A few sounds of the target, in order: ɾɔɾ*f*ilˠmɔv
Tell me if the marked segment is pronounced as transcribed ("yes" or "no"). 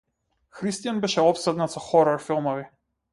yes